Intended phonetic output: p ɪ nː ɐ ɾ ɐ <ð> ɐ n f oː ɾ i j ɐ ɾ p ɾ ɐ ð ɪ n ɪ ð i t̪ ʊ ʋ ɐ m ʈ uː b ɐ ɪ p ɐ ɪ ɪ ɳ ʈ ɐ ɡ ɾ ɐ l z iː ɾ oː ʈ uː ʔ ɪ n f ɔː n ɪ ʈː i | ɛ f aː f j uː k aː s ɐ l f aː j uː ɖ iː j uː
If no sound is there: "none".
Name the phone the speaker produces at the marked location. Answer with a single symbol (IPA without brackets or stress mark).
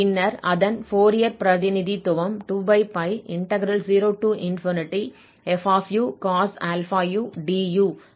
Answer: ð